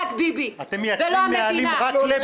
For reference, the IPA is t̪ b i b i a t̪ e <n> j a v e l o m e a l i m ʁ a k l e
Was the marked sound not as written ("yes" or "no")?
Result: yes